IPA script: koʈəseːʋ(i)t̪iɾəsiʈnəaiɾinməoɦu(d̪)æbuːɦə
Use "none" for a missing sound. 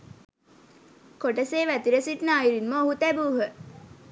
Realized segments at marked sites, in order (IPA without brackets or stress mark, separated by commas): æ, t̪